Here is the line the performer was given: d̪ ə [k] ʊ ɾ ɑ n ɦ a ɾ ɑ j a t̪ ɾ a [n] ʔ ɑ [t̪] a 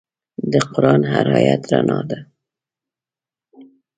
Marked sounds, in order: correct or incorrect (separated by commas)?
incorrect, correct, incorrect